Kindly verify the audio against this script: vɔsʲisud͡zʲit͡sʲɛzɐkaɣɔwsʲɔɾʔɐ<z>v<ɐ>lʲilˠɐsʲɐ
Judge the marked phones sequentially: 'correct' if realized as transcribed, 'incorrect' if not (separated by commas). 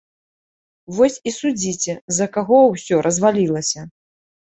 correct, incorrect